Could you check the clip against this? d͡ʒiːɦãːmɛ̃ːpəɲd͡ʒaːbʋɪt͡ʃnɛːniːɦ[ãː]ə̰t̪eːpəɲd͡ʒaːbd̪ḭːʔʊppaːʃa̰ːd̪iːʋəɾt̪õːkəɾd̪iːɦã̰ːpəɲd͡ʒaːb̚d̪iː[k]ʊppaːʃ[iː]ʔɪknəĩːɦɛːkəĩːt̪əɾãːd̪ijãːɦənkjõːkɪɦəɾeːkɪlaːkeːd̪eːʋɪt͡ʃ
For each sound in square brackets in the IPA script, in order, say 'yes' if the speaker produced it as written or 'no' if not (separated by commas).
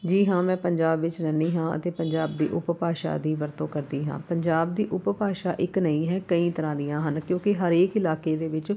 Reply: yes, no, no